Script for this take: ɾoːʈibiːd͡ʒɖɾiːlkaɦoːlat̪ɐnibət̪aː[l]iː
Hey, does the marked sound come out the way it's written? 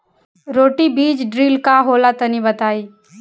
no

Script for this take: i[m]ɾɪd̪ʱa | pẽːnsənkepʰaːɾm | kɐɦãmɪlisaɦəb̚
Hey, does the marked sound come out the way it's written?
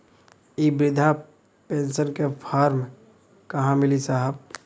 no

